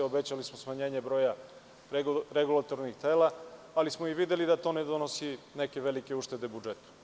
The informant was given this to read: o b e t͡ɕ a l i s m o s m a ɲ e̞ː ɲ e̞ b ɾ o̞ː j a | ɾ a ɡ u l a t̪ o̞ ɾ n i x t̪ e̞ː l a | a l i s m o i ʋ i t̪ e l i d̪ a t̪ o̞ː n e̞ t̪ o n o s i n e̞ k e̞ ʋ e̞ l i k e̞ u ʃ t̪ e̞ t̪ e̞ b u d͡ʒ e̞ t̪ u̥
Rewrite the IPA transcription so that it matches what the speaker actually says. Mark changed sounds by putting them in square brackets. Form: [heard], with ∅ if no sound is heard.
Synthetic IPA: o b e t͡ɕ a l i s m o s m a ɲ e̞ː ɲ e̞ b ɾ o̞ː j a | ɾ [e] ɡ u l a t̪ o̞ ɾ n i x t̪ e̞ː l a | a l i s m o i ʋ i [d̪] e l i d̪ a t̪ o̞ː n e̞ [d̪] o n o s i n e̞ k e̞ ʋ e̞ l i k e̞ u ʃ t̪ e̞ [d̪] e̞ b u d͡ʒ e̞ t̪ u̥